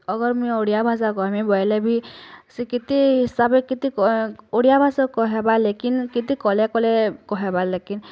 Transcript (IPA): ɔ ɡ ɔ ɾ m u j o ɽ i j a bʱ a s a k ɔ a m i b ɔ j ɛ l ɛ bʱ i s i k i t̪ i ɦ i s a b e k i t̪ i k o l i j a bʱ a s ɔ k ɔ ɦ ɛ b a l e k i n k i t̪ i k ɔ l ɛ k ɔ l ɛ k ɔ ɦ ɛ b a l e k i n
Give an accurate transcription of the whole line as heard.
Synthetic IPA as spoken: ɔ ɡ ɔ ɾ m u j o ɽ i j a bʱ a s a k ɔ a m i b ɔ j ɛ l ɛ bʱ i s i k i t̪ i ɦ i s a b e k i t̪ i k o ɽ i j a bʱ a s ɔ k ɔ ɦ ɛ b a l e k i n k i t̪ i k ɔ l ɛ k ɔ l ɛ k ɔ ɦ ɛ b a l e k i n